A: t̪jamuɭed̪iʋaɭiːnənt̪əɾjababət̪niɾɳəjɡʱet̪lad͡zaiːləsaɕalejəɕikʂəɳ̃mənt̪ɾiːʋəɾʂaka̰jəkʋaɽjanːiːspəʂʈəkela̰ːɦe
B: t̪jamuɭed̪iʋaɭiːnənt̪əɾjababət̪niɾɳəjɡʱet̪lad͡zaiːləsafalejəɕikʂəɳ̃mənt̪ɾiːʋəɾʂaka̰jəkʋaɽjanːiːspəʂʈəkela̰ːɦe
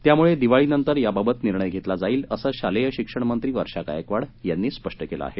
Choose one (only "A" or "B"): A